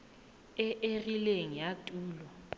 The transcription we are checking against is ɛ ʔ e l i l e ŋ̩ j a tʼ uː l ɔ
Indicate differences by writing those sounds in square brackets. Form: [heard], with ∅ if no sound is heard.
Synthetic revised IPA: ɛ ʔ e [r] i l e ŋ̩ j a tʼ uː l ɔ